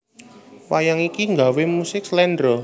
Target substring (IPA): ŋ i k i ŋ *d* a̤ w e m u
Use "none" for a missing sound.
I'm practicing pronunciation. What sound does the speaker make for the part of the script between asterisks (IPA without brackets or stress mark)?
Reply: ɡ